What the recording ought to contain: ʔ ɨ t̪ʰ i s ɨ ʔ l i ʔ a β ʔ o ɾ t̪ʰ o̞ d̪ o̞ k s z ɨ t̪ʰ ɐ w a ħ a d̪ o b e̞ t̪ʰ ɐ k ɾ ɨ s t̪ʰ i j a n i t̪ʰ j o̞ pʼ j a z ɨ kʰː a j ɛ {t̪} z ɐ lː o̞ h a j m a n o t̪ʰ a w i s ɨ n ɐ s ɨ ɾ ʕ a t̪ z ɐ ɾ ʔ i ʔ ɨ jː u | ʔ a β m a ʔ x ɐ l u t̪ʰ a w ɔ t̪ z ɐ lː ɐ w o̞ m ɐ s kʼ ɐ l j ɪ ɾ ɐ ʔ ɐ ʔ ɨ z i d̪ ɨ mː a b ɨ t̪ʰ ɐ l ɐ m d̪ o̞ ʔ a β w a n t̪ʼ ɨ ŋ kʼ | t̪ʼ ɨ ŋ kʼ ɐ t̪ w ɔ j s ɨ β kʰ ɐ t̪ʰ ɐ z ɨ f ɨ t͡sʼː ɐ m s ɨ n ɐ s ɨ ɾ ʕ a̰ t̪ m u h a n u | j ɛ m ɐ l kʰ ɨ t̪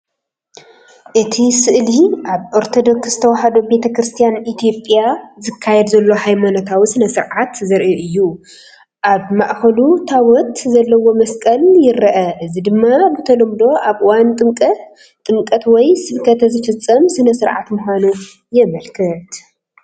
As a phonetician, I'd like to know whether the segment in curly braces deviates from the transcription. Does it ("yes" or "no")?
yes